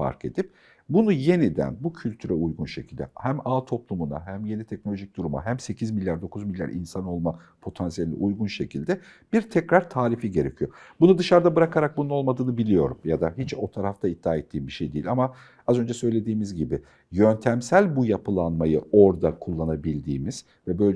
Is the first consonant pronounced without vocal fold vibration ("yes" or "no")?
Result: yes